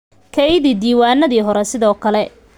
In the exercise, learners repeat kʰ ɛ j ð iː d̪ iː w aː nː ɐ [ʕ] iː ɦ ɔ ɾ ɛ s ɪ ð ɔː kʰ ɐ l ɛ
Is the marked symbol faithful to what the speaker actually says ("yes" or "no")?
no